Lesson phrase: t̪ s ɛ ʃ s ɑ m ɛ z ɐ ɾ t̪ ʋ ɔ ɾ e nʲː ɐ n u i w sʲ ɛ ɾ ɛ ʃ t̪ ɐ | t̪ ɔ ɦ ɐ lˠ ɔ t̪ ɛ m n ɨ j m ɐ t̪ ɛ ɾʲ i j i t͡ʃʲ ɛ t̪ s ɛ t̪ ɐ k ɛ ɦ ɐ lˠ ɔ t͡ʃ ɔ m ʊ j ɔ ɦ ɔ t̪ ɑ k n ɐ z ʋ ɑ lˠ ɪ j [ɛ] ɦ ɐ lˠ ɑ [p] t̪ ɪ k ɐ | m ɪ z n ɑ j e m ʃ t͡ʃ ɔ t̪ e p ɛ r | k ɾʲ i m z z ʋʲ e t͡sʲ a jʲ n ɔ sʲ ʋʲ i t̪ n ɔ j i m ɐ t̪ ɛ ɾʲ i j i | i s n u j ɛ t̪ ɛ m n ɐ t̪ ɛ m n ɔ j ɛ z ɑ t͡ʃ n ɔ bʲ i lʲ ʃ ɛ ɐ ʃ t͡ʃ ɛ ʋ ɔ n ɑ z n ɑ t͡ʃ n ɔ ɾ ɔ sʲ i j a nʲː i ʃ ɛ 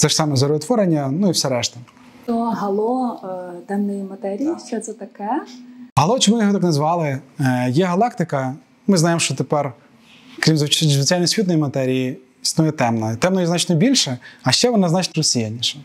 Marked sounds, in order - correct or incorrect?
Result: correct, incorrect: k

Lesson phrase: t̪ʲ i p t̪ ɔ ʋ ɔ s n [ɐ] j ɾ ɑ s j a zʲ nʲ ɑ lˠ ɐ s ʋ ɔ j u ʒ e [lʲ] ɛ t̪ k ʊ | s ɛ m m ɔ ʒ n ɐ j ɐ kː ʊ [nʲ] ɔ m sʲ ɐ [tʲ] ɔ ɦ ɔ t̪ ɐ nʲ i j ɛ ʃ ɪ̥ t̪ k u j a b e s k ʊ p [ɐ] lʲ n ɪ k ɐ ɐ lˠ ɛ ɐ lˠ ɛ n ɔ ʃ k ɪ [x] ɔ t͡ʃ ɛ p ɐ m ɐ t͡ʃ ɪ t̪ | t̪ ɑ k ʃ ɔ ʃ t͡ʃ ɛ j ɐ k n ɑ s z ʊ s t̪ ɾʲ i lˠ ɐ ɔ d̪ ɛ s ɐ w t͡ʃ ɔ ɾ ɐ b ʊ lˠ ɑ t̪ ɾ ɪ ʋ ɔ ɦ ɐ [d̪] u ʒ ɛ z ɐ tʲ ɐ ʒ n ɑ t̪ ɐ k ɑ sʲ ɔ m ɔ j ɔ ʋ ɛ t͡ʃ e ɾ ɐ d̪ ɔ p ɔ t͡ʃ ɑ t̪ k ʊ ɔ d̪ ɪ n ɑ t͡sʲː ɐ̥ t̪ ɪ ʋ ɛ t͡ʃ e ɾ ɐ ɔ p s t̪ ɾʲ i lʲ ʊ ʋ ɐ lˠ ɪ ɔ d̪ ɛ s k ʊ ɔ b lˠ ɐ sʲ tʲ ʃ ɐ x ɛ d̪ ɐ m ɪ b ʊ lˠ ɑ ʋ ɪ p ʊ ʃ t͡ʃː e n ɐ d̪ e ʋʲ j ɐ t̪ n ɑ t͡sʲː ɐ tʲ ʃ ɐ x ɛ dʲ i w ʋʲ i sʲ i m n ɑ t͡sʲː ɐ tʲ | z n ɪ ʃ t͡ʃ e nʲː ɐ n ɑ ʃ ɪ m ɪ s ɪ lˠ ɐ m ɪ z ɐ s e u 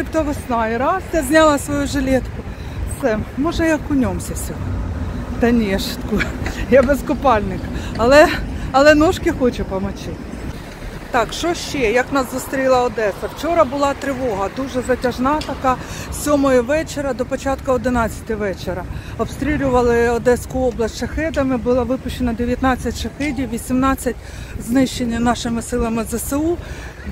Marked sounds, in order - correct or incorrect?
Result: incorrect: ɑ, correct, correct, incorrect: sʲ, incorrect: ɑ, correct, correct

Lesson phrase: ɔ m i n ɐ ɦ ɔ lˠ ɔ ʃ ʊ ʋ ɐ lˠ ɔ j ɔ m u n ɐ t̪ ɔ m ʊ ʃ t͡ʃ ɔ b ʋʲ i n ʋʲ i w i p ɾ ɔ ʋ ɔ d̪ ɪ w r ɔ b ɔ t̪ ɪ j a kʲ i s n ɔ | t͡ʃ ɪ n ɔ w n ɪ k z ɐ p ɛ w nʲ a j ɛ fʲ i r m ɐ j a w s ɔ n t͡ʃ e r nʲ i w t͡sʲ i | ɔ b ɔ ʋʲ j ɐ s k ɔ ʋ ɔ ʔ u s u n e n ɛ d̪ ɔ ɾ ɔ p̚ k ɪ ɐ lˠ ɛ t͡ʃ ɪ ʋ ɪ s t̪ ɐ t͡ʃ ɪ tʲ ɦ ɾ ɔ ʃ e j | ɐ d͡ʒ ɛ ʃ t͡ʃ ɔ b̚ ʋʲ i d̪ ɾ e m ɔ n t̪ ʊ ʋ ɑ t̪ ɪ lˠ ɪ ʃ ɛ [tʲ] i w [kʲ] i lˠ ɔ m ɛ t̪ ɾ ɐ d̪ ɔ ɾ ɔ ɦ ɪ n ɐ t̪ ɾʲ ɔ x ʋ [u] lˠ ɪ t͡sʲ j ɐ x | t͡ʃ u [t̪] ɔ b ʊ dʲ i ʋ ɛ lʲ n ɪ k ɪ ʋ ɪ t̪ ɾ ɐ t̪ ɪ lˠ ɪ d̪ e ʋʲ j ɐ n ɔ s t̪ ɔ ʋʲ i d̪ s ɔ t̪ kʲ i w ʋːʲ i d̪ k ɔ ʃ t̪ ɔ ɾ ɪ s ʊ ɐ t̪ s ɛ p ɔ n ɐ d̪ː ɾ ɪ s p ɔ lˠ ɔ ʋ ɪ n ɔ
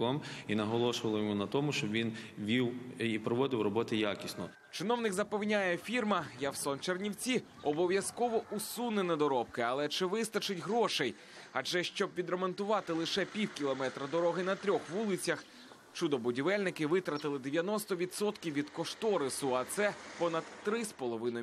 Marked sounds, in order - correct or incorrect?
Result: incorrect: pʲ, correct, correct, incorrect: d̪

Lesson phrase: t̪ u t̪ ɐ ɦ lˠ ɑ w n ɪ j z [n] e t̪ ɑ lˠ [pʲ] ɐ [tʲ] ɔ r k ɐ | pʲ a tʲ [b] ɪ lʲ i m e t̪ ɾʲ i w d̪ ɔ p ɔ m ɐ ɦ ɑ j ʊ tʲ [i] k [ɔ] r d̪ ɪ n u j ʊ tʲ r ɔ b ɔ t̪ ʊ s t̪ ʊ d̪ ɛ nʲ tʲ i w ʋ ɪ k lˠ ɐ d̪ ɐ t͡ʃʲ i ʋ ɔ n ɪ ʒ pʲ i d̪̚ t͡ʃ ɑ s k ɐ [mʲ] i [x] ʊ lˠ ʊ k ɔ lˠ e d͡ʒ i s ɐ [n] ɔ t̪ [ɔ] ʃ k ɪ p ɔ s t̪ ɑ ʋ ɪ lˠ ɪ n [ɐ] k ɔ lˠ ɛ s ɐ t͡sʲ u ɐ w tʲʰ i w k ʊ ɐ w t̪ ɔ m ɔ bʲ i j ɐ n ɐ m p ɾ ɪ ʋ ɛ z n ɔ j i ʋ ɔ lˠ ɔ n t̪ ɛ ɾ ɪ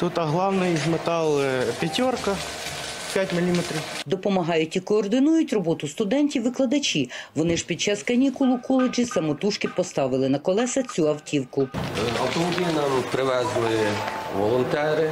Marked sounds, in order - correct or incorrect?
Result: incorrect: m, correct, correct, incorrect: m, correct, incorrect: ɔː, incorrect: nʲ, incorrect: k, incorrect: m, incorrect: u, correct

